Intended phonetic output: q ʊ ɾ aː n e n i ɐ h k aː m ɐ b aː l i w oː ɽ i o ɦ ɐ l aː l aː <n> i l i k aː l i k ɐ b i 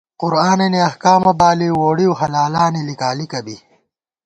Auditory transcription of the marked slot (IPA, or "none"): n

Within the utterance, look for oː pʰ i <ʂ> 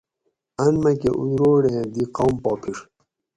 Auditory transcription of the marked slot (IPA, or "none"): ʂ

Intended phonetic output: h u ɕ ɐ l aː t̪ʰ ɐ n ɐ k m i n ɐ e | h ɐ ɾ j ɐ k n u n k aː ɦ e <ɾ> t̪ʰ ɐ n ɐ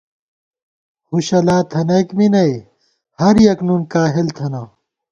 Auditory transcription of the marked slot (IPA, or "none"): l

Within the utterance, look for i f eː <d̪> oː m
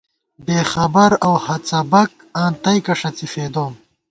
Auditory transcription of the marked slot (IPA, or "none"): d̪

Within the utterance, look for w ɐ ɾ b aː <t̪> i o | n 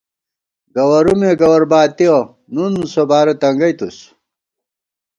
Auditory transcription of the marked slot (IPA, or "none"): t̪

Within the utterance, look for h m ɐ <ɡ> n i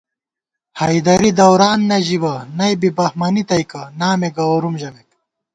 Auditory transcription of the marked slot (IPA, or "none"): none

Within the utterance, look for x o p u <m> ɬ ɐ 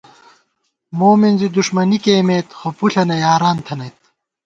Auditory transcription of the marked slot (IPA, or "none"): none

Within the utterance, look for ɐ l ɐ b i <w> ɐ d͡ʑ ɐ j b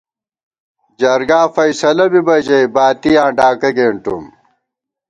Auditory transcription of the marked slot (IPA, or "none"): b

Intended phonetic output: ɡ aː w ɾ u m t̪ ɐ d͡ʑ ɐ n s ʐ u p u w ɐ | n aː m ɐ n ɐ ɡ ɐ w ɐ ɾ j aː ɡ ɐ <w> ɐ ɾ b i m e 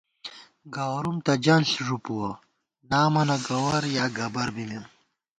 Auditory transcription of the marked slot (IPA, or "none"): b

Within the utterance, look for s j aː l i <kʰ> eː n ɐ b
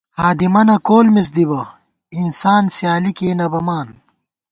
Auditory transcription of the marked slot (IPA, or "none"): k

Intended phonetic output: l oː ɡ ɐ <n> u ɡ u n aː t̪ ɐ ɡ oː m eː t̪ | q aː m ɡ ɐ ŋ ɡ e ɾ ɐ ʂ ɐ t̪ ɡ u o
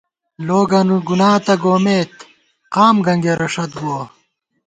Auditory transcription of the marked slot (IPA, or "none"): n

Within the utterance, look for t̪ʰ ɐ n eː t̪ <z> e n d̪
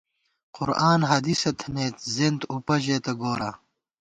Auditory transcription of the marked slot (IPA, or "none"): z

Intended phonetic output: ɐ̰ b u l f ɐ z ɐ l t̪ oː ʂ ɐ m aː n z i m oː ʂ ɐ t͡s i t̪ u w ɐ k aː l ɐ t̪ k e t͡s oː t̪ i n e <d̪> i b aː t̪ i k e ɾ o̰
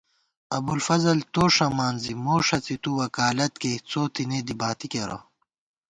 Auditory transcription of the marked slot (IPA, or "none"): d̪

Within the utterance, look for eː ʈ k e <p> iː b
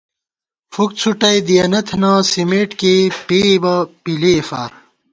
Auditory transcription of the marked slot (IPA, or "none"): p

